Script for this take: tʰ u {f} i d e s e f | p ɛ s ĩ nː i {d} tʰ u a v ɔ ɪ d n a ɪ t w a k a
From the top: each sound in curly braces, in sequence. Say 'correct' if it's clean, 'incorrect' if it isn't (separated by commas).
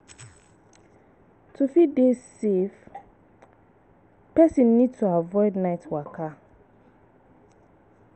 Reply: correct, correct